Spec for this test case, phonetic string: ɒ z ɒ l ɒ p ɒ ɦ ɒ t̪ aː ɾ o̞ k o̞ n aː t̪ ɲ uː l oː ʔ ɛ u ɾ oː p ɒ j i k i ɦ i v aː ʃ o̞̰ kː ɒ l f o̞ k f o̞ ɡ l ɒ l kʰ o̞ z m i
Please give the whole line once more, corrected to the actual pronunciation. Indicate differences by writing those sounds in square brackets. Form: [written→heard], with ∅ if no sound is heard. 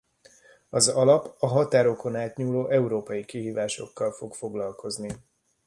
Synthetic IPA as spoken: ɒ z ɒ l ɒ p ɒ ɦ ɒ t̪ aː ɾ o̞ k o̞ n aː t̪ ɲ uː l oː ʔ ɛ u ɾ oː p ɒ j i k i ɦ [i→iː] v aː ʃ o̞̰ kː ɒ l f o̞ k f o̞ ɡ l ɒ l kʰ o̞ z [m→n] i